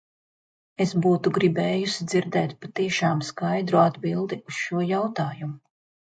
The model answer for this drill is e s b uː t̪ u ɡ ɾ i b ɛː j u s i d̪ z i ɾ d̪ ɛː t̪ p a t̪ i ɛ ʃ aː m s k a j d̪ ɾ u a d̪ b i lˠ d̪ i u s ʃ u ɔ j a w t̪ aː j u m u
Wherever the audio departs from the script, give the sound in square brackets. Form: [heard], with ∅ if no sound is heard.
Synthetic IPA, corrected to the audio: e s b uː t̪ u ɡ ɾ i b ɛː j u s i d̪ z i ɾ d̪ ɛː t̪ p a t̪ i ɛ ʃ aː m s k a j d̪ ɾ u a d̪ b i lˠ d̪ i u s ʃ u ɔ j a w t̪ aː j u m u